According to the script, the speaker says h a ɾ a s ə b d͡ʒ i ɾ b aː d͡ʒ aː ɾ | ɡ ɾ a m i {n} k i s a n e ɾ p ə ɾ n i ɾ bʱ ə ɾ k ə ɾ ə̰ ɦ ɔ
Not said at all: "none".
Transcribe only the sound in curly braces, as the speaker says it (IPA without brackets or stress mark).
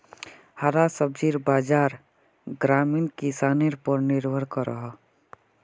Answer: n